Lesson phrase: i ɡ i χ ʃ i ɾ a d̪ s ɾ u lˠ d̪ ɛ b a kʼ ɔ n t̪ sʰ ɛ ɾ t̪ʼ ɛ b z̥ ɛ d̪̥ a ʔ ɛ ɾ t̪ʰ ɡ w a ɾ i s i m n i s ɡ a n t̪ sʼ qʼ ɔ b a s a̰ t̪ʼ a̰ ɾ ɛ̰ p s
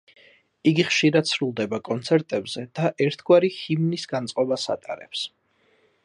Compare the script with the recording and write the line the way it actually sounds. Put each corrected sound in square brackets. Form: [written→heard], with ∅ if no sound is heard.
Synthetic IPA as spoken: i ɡ i χ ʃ i ɾ a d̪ s ɾ u lˠ d̪ ɛ b a kʼ ɔ n t̪ sʰ ɛ ɾ t̪ʼ ɛ b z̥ ɛ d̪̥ a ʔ ɛ ɾ t̪ʰ ɡ w a ɾ i [s→h] i m n i s ɡ a n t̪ sʼ qʼ ɔ b a s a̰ t̪ʼ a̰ ɾ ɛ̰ p s